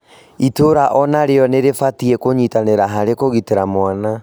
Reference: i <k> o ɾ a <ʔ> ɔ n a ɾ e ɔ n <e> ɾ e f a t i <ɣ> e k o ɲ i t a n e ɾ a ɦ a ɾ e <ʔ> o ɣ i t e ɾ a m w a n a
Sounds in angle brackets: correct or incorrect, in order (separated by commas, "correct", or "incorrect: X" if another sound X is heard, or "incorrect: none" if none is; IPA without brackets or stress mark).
incorrect: t, correct, correct, incorrect: none, incorrect: k